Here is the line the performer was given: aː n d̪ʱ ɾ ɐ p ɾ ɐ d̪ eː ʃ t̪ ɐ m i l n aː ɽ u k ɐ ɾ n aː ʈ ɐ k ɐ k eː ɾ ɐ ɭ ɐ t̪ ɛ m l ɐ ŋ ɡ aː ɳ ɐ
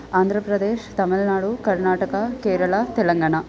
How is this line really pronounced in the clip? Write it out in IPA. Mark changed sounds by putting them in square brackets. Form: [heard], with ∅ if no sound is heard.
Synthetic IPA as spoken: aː n d̪ʱ ɾ ɐ p ɾ ɐ d̪ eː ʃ t̪ ɐ m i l n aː ɽ u k ɐ ɾ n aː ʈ ɐ k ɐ k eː ɾ ɐ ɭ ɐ t̪ ɛ [∅] l ɐ ŋ ɡ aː ɳ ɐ